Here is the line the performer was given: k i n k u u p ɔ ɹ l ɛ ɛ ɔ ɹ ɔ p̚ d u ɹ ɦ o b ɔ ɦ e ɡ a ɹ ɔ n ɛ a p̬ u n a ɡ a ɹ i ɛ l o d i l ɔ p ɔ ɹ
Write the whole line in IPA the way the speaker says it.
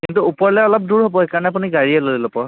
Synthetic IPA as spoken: k i n t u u p ɔ ɹ l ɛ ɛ ɔ l ɔ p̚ d u ɹ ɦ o b ɔ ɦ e k a ɹ ɔ n ɛ a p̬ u n i ɡ a ɹ i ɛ l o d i l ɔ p ɔ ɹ